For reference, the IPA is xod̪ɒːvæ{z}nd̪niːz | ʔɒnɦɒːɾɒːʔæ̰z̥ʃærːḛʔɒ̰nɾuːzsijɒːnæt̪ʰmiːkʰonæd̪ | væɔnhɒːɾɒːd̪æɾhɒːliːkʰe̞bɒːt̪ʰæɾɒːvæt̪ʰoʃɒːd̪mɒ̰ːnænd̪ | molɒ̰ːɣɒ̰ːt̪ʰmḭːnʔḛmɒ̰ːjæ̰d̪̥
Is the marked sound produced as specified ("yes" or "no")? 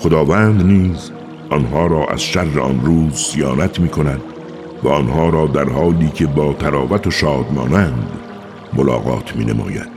no